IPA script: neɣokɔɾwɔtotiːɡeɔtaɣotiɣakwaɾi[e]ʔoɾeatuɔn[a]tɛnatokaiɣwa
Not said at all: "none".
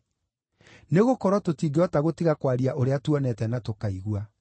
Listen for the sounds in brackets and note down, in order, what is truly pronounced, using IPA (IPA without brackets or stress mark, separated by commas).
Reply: a, ɛ